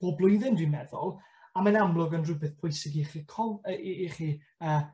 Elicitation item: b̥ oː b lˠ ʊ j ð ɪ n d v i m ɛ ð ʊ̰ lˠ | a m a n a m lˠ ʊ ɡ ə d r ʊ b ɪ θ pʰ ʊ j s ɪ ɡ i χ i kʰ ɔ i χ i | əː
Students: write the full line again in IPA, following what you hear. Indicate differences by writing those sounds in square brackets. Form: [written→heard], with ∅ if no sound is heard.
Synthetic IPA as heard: b̥ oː b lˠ ʊ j ð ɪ n d [v→w] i m ɛ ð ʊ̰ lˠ | a m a n a m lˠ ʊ ɡ ə [d→n] r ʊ b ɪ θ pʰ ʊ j s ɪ ɡ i χ i kʰ ɔ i χ i | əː